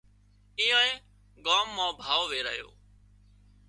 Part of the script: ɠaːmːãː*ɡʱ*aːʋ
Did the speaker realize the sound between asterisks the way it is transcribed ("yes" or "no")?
no